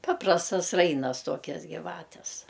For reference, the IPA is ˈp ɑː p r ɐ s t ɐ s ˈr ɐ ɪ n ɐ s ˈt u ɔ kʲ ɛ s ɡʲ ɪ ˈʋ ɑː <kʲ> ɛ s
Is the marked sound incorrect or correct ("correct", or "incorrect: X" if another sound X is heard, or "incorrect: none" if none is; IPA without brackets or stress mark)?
incorrect: tʲ